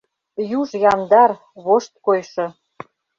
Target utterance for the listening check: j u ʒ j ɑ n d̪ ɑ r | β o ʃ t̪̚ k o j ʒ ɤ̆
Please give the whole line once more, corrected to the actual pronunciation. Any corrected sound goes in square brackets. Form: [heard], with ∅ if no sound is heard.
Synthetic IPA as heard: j u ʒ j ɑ n d̪ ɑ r | β o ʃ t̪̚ k o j [ʃ] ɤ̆